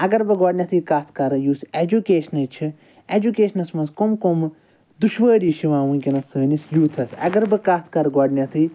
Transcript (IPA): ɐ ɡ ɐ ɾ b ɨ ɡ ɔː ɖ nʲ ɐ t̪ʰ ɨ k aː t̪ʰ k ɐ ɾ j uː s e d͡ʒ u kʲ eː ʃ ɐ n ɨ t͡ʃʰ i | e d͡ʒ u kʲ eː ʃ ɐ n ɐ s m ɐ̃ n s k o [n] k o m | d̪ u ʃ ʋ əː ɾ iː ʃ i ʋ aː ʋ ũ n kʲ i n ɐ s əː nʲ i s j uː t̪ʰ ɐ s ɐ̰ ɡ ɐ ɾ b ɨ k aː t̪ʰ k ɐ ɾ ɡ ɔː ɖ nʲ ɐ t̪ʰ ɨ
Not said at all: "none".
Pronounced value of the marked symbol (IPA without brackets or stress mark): m